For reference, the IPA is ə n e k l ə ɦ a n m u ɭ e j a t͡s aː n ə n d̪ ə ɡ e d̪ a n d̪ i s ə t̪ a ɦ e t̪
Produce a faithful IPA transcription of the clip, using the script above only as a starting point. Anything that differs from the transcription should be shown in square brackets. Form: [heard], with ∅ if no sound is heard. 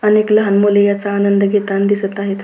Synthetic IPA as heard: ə n e k l ə ɦ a n m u [l] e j a t͡s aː n ə n d̪ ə ɡ e [t̪] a n d̪ i s ə t̪ a ɦ e t̪